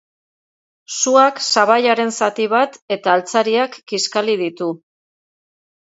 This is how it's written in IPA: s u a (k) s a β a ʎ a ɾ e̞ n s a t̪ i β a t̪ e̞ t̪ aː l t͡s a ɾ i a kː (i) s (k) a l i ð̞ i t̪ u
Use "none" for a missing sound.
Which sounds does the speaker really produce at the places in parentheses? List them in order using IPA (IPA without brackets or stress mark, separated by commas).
k, i, k